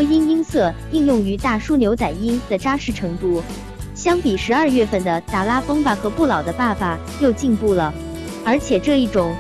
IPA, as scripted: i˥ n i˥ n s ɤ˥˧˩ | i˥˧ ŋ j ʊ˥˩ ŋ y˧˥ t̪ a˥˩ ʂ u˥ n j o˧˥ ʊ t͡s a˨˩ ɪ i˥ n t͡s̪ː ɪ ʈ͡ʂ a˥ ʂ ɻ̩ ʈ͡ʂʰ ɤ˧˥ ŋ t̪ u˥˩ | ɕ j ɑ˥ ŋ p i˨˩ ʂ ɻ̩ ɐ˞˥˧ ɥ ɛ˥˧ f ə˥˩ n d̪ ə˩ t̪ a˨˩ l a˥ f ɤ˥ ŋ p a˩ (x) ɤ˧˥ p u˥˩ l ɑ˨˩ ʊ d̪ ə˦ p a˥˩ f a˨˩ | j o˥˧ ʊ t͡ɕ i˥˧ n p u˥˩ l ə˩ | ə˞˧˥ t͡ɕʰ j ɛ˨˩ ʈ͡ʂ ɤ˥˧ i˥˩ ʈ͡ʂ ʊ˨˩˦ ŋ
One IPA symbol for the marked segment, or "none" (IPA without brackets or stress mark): x